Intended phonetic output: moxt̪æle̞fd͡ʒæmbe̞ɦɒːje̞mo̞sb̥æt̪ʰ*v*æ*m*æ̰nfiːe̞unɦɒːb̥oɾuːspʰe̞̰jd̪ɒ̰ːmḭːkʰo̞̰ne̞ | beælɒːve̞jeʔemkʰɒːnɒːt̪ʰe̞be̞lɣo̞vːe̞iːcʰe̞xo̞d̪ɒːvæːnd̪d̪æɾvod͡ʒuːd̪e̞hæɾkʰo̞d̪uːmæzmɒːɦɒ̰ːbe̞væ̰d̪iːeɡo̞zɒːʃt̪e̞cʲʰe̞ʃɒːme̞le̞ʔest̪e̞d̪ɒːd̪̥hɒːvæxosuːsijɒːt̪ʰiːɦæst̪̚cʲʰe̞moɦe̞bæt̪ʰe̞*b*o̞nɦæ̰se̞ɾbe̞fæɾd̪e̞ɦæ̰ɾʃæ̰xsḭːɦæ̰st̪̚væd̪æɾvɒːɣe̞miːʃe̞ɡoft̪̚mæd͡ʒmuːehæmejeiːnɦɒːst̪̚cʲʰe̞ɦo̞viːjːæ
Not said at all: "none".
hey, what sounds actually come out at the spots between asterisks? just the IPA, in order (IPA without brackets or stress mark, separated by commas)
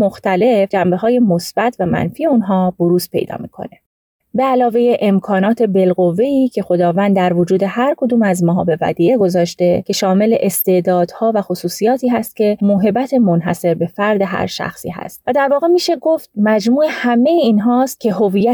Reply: v, m, m